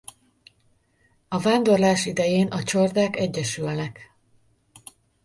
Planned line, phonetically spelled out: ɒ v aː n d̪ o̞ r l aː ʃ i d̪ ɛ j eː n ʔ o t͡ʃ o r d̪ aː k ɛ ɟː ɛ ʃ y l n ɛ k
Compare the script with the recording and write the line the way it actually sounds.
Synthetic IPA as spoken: ɒ v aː n d̪ o̞ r l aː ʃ i d̪ ɛ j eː n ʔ ɒ t͡ʃ o r d̪ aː k ɛ ɟː ɛ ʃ y l n ɛ k

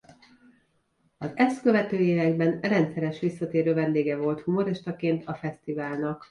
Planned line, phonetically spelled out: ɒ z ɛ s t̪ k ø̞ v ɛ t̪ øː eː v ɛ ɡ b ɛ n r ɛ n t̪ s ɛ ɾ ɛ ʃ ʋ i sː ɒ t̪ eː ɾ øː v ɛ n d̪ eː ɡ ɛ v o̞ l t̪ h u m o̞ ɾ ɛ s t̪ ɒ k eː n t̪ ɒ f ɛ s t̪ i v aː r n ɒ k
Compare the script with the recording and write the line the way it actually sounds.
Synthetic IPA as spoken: ɒ z ɛ s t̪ k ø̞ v ɛ t̪ øː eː v ɛ ɡ b ɛ n r ɛ n t̪ s ɛ ɾ ɛ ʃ ʋ i sː ɒ t̪ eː ɾ øː v ɛ n d̪ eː ɡ ɛ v o̞ l t̪ h u m o̞ ɾ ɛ ʃ t̪ ɒ k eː n t̪ ɒ f ɛ s t̪ i v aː l n ɒ k

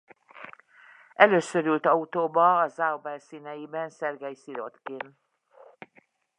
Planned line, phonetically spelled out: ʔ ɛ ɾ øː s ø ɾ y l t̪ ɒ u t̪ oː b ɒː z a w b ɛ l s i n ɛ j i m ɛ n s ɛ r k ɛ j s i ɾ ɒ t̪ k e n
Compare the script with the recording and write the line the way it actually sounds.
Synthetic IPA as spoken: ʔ ɛ l øː s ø ɾ y l t̪ ɒ u t̪ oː b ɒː z a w b ɛ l s i n ɛ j i b ɛ n s ɛ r ɡ ɛ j s i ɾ o t̪ k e n

